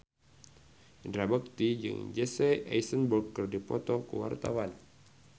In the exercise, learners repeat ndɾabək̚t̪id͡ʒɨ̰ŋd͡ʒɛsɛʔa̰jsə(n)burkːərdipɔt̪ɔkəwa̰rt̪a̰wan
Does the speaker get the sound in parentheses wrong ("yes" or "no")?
no